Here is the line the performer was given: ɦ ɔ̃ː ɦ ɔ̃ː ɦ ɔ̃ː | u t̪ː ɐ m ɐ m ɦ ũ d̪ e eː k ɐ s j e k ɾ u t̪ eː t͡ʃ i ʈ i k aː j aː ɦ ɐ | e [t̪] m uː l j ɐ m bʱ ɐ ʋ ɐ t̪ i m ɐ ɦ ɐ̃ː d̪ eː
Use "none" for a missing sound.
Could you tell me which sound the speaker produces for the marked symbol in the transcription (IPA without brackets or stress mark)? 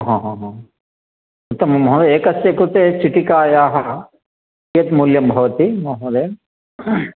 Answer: t̪